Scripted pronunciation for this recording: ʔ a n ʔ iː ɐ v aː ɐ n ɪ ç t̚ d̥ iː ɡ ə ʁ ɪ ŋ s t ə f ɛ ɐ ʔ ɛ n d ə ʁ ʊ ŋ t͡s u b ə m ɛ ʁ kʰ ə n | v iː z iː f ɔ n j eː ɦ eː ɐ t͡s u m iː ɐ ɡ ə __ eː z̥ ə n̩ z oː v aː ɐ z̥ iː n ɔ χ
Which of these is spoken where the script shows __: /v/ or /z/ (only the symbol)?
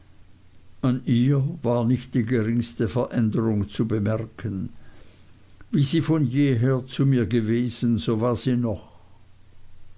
v